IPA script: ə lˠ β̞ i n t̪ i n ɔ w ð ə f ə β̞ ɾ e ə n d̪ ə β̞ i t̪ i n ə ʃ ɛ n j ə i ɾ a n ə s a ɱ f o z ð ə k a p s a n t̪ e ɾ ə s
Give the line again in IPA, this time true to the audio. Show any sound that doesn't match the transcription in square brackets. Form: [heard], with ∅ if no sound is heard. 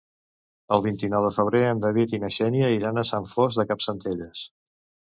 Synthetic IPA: ə lˠ β̞ i n t̪ i n ɔ w ð ə f ə β̞ ɾ e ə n d̪ ə β̞ i t̪ i n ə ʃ ɛ n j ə i ɾ a n ə s a ɱ f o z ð ə k a p s [ə] n t̪ e [ʎ] ə s